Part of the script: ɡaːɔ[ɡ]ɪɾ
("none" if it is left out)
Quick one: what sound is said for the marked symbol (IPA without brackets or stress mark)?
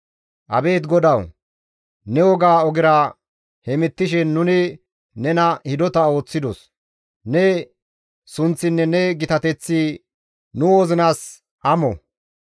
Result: ɡ